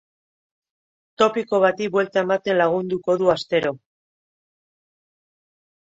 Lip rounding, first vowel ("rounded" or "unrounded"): rounded